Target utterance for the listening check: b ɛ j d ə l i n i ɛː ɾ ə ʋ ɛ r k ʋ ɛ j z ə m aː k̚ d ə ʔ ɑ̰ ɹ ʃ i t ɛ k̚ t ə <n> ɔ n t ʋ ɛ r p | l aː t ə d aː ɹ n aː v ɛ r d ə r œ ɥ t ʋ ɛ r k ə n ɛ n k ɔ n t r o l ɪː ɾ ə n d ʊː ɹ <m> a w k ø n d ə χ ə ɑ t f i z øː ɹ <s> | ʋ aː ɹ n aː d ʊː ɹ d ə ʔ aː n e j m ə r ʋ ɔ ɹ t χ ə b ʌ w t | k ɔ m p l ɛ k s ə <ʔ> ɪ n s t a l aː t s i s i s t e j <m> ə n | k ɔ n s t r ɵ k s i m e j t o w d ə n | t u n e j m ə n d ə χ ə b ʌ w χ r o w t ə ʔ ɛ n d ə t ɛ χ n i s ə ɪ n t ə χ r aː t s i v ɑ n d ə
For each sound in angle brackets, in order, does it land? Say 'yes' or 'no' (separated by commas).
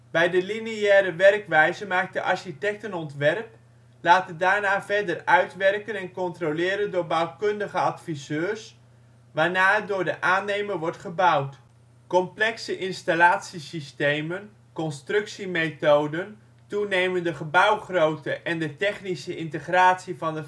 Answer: yes, no, yes, yes, yes